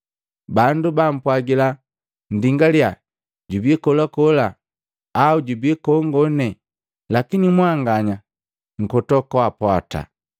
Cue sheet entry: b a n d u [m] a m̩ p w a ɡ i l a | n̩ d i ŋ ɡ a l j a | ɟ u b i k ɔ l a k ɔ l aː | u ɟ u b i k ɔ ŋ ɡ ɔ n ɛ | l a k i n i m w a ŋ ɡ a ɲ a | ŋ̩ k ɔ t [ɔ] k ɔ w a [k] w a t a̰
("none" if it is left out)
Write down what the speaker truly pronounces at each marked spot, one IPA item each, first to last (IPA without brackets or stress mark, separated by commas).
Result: b, ɔ, p